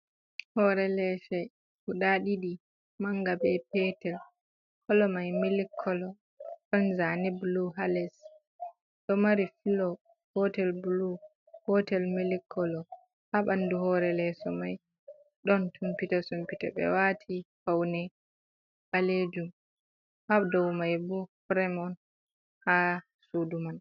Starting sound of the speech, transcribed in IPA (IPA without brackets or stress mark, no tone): h